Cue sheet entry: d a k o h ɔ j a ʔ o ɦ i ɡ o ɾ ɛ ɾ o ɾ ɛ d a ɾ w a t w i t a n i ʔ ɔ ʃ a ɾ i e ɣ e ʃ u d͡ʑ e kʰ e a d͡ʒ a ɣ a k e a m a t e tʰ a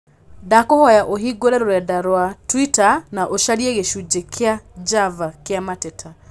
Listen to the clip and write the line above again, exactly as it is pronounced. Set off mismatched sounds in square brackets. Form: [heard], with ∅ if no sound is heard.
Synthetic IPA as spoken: d a k o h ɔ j a ʔ o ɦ i ɡ o ɾ ɛ ɾ o ɾ ɛ d a ɾ w a t w i t a n [a] ʔ [o] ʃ a ɾ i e ɣ e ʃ u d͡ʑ e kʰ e a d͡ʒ a [v] a k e a m a t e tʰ a